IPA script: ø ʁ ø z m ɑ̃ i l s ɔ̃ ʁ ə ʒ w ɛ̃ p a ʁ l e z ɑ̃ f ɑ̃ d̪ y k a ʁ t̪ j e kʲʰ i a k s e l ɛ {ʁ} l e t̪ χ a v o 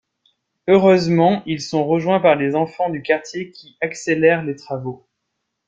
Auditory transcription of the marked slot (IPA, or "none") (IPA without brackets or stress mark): ʁ